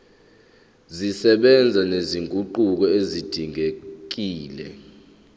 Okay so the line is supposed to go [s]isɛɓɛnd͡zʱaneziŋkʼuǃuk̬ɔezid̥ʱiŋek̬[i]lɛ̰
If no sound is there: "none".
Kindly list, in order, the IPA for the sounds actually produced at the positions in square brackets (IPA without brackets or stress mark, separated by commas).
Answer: z, iː